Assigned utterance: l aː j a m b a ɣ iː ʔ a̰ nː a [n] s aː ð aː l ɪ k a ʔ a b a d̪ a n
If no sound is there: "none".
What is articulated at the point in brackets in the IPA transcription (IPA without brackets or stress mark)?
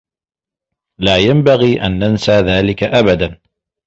n